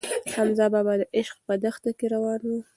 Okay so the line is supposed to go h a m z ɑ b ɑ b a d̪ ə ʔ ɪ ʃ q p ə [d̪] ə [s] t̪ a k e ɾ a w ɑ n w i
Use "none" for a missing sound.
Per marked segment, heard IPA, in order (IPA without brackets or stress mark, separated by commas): d̪, x